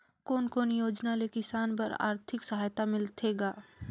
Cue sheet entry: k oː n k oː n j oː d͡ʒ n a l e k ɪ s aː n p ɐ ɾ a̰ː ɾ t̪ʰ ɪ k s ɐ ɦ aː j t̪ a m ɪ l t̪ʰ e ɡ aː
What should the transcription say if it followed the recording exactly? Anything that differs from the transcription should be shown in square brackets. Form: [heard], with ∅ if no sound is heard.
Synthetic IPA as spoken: k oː n k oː n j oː d͡ʒ n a l e k ɪ s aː n p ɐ ɾ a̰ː ɾ t̪ʰ ɪ k s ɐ ɦ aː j t̪ a m ɪ l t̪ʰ e ɡ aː